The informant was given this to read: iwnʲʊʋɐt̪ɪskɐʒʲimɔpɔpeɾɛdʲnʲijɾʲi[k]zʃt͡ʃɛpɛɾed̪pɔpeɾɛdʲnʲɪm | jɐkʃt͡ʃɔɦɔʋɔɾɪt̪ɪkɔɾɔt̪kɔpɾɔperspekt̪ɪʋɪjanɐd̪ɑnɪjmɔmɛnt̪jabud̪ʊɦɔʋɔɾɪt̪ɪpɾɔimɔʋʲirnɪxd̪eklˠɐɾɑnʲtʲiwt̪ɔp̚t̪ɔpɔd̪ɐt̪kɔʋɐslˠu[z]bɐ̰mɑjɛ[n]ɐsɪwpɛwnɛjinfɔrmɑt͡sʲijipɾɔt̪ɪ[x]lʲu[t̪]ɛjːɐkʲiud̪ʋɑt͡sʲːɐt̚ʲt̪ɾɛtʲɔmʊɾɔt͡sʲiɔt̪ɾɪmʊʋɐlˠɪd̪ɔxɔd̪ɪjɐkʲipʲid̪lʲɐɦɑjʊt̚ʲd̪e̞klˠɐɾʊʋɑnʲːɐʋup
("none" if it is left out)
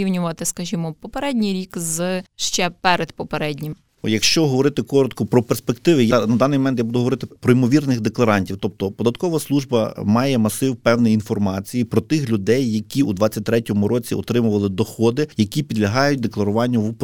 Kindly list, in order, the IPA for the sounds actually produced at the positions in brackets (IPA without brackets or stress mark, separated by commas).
k, ʒ, m, x, d̪